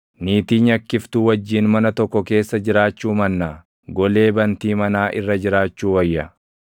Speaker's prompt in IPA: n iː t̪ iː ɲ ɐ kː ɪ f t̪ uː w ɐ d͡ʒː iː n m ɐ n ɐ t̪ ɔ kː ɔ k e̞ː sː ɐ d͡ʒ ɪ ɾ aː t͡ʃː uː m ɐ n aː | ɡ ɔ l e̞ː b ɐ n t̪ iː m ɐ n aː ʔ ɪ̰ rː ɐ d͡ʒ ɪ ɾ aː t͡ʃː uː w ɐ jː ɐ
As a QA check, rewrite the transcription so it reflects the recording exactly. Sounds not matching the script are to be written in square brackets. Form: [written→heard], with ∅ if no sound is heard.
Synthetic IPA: n iː t̪ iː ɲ ɐ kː ɪ f t̪ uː w ɐ d͡ʒː iː n m ɐ n ɐ t̪ ɔ kː ɔ k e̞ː sː ɐ d͡ʒ ɪ ɾ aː t͡ʃː uː m ɐ [n→nː] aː | ɡ ɔ l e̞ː b ɐ n t̪ iː m ɐ n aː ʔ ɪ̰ rː ɐ d͡ʒ ɪ ɾ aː t͡ʃː uː w ɐ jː ɐ